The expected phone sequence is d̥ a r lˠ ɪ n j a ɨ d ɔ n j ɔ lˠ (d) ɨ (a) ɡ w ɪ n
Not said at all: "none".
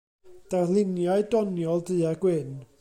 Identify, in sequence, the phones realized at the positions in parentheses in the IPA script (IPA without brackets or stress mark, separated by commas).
d, a